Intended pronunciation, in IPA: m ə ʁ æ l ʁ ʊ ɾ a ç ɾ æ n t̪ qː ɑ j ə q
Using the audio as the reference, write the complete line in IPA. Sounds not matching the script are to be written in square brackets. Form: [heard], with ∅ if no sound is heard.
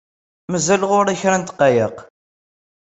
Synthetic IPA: m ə [z] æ l ʁ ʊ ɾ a ç ɾ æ n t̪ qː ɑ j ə q